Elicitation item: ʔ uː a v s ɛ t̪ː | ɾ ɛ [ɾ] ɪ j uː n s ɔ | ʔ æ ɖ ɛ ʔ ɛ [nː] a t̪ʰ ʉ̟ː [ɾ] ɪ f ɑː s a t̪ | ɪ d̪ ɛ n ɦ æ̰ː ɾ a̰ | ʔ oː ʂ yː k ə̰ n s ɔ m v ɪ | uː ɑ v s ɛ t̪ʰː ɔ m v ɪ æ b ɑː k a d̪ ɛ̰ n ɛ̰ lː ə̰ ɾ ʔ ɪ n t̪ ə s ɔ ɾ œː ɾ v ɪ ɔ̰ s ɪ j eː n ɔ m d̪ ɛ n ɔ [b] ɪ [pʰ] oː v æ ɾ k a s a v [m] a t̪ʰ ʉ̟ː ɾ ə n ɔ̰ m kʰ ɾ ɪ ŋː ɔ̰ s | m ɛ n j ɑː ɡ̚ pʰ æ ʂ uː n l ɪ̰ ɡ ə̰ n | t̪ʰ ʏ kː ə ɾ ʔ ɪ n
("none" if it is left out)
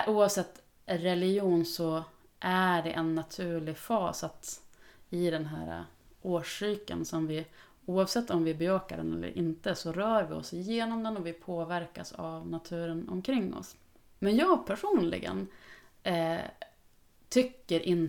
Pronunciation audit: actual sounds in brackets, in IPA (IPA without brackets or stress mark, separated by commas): l, nː, ɭ, v, pʰ, n